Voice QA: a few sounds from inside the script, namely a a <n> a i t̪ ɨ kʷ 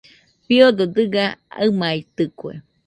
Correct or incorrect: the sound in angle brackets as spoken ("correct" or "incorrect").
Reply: incorrect